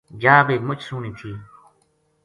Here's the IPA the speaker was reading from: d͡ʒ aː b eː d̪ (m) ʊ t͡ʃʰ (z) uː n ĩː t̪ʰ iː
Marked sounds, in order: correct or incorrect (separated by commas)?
correct, incorrect